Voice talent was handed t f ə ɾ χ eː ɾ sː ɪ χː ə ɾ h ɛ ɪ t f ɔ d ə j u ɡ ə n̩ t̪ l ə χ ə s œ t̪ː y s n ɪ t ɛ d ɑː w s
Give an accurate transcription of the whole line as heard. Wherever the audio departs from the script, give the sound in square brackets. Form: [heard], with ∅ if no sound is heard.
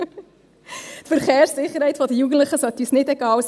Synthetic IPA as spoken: t f ə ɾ χ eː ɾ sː ɪ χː ə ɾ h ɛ ɪ t f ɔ d ə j u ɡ ə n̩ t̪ l ə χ ə s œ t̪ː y s n ɪ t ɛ [ɡ] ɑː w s